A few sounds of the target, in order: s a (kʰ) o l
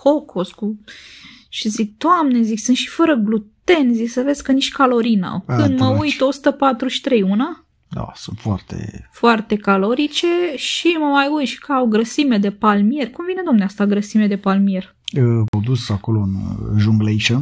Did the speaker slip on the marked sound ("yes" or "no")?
yes